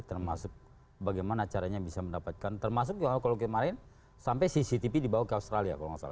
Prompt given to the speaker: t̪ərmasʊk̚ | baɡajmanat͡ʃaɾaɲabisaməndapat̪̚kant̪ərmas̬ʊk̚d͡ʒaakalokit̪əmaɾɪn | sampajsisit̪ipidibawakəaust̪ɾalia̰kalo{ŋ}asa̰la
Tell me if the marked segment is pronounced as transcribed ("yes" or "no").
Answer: yes